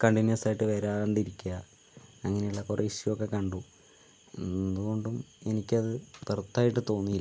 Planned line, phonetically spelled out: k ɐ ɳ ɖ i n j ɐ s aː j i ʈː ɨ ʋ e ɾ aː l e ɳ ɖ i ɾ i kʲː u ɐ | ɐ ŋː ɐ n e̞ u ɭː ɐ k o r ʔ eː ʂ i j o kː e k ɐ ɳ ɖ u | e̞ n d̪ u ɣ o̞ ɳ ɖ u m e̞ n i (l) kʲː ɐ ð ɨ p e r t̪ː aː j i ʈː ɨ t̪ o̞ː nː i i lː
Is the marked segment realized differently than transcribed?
yes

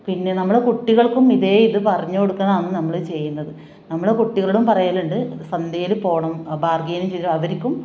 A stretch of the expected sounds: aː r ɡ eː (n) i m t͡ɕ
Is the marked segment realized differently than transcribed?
no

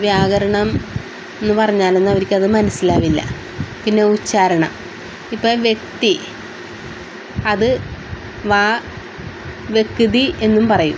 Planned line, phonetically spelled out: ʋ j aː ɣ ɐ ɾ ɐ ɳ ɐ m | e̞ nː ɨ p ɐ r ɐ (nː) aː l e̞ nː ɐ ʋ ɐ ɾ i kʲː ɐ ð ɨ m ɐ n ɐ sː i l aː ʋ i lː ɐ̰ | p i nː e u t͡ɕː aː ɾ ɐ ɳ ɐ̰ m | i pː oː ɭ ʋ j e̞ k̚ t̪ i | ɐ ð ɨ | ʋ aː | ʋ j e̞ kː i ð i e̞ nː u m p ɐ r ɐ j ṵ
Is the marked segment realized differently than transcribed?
yes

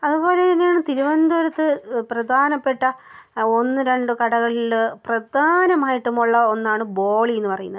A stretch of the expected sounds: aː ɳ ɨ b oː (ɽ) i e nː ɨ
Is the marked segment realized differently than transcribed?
yes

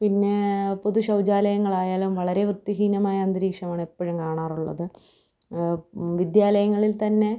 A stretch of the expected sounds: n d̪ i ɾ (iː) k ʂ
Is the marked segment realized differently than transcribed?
no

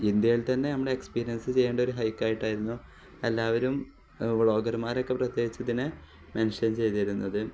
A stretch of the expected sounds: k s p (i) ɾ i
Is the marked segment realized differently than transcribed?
yes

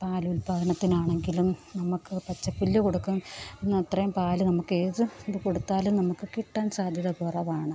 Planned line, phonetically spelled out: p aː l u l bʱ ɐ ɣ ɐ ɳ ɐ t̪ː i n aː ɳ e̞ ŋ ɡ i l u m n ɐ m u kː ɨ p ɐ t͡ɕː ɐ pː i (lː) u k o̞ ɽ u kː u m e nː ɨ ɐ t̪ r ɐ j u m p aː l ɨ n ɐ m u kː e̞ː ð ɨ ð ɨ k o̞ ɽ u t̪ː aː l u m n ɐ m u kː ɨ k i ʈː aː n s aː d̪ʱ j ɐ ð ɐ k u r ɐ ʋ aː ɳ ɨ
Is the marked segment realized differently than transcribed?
no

